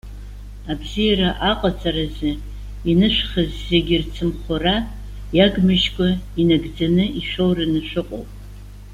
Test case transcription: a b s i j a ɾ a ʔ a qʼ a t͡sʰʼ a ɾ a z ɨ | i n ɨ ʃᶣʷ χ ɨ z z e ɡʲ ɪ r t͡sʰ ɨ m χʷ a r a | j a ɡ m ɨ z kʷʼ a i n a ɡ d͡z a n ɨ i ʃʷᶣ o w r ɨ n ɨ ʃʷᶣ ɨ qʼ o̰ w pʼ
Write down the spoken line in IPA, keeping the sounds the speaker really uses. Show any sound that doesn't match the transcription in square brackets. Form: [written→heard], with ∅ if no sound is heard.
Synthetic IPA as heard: a b [s→z] i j a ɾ a ʔ a qʼ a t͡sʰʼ a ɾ a z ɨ | i n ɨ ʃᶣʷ χ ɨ z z e ɡʲ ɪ r t͡sʰ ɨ m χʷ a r a | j a ɡ m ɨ [z→ʒ] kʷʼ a i n a ɡ d͡z a n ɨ i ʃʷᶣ o w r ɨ n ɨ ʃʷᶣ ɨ qʼ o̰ w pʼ